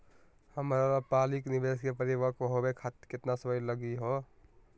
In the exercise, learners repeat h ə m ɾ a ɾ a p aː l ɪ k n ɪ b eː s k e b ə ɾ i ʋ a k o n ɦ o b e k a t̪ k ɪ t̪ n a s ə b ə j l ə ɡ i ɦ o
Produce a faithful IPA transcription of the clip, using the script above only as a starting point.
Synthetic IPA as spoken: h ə m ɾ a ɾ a p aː l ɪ k n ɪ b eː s k e p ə ɾ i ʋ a k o ɦ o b e kʰ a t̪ k ɪ t̪ n a s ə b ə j l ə ɡ i ɦ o